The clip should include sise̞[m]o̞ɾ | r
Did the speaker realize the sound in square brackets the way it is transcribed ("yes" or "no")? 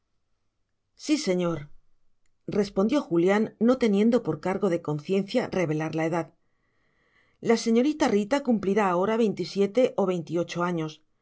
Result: no